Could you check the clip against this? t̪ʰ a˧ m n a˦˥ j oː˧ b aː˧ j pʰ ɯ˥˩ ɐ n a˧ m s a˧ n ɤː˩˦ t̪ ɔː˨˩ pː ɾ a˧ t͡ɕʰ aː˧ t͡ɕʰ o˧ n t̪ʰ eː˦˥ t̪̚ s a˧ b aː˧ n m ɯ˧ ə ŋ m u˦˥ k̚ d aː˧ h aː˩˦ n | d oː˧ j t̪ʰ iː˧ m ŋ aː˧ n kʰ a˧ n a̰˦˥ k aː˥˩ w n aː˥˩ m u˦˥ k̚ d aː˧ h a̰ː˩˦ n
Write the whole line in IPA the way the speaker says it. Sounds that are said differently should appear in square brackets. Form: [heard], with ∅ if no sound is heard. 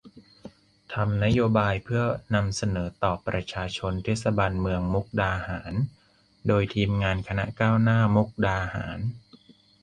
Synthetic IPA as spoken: t̪ʰ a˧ m n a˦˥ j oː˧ b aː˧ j pʰ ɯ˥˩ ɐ n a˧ m s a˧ n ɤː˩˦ t̪ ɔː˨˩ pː ɾ a˧ t͡ɕʰ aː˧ t͡ɕʰ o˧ n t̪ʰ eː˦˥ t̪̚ s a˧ b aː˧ n m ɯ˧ ə ŋ m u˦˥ k̚ d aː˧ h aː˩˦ n | d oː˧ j t̪ʰ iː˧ m ŋ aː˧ n kʰ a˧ n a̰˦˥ k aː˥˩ w n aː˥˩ m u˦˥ k̚ d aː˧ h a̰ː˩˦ n